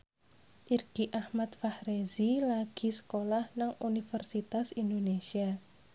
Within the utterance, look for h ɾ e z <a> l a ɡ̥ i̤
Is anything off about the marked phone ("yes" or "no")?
yes